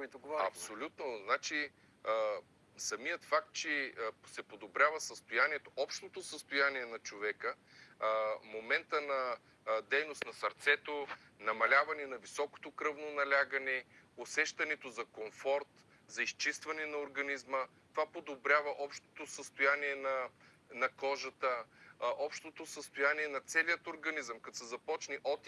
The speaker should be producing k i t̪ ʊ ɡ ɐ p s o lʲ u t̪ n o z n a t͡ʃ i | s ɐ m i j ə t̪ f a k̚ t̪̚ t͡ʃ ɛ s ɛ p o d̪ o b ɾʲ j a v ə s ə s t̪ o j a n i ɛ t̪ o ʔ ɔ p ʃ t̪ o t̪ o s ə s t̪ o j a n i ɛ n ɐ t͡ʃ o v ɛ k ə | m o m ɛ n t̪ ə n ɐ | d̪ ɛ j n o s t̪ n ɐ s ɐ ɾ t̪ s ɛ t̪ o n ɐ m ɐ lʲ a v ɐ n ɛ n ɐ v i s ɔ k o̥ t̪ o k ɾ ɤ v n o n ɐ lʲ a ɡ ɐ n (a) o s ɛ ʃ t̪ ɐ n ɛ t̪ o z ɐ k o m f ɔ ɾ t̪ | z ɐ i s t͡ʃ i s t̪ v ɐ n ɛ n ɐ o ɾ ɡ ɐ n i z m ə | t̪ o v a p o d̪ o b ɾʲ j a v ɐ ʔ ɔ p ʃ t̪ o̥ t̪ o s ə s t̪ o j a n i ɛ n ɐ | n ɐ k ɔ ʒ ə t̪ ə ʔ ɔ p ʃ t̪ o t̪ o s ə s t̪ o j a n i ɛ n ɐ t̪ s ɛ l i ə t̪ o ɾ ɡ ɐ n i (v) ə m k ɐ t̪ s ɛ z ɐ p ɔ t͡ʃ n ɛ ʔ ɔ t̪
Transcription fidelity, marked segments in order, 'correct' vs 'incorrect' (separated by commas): incorrect, incorrect